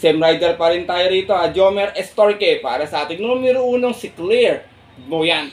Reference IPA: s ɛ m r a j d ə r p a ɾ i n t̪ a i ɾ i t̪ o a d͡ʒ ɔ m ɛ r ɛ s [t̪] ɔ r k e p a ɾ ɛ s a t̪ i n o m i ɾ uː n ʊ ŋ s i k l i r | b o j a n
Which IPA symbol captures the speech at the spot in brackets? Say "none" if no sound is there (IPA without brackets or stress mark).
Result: t̪